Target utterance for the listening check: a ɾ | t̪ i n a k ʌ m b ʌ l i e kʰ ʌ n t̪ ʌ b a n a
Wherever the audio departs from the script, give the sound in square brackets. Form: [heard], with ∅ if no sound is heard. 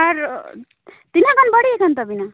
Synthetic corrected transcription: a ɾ | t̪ i n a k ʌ [n] b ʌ [ɽ] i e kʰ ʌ n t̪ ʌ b [i] n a